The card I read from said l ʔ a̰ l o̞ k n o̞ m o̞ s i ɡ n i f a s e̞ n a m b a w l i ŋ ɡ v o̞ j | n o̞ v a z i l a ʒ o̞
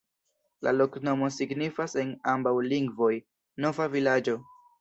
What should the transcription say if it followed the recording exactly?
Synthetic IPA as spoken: l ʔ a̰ l o̞ k n o̞ m o̞ s i ɡ n i f a s e̞ n a m b a w l i ŋ ɡ v o̞ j | n o̞ v a v i l a d͡ʒ o̞